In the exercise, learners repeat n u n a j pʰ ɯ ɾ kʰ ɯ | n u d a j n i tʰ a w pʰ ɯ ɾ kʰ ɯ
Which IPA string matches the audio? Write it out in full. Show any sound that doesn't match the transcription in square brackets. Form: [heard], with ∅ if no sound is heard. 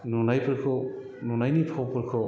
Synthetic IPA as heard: n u n a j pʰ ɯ ɾ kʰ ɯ | n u [n] a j n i [pʰ] a w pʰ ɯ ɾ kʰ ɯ